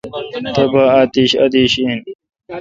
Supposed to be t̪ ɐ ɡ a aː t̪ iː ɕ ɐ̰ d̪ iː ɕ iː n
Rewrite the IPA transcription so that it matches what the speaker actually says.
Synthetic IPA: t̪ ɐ b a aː t̪ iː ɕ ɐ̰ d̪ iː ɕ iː n